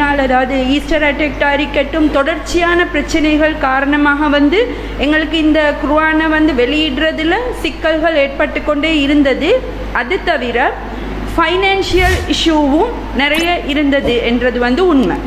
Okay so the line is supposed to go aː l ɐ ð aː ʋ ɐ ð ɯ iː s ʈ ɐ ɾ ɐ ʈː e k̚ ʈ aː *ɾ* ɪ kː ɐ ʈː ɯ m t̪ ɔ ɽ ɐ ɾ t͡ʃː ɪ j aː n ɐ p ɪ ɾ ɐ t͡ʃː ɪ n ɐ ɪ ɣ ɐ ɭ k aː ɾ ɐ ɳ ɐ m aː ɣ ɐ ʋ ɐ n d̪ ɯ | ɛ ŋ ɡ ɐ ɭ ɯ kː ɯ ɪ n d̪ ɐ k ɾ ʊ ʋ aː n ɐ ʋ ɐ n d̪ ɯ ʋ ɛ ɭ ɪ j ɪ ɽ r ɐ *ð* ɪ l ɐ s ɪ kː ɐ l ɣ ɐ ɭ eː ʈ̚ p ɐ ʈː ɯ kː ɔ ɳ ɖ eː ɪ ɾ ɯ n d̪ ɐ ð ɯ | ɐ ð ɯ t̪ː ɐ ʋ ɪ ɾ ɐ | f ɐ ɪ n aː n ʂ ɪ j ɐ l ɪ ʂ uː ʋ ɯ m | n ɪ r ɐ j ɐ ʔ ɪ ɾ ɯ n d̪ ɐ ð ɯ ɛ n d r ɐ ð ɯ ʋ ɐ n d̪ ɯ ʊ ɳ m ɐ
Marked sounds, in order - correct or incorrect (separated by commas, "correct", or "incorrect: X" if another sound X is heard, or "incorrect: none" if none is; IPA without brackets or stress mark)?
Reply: correct, correct